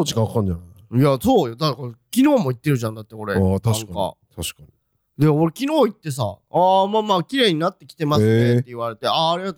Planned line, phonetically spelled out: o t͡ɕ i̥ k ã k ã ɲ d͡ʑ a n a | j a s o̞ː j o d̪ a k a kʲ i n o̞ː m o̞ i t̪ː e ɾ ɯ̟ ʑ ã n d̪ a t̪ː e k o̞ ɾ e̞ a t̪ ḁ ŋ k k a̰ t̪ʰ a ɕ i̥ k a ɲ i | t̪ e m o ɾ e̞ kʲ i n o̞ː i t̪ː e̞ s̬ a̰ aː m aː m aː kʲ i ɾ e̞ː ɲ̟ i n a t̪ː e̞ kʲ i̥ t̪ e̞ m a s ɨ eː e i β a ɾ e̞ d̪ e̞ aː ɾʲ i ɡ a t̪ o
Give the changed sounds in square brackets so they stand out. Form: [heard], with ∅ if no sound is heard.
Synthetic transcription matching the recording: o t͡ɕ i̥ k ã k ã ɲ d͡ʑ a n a | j a s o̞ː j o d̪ a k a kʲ i n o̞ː m o̞ i t̪ː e ɾ ɯ̟ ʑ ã n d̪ a t̪ː e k o̞ ɾ e̞ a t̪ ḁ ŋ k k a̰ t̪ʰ a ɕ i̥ k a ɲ i | [d̪] e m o ɾ e̞ kʲ i n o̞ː i t̪ː e̞ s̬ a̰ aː m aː m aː kʲ i ɾ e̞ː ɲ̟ i n a t̪ː e̞ kʲ i̥ t̪ e̞ m a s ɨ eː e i β a ɾ e̞ [t̪] e̞ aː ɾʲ i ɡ a t̪ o